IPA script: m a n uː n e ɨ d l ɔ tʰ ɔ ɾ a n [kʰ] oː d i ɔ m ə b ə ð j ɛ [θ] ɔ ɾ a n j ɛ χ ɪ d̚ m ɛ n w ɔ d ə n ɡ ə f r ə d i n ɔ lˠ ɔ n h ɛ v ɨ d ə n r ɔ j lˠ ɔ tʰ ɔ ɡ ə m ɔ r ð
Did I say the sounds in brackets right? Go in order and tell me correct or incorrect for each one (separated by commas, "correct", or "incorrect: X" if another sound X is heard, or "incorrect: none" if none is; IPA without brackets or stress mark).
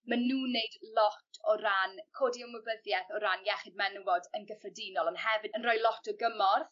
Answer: correct, correct